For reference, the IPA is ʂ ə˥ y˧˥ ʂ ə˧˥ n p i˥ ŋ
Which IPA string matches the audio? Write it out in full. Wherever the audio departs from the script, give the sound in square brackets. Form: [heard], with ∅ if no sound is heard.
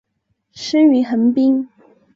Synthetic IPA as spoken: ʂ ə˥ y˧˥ [x] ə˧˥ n p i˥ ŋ